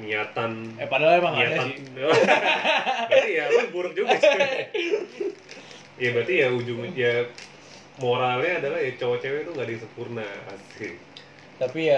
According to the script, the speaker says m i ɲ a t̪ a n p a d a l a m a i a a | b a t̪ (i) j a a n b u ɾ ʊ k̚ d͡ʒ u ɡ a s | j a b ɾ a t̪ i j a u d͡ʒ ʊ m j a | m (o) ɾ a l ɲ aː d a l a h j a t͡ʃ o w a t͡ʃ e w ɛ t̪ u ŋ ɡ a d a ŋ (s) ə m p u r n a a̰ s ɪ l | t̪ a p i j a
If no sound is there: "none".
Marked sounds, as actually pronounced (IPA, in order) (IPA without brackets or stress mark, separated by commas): i, o, s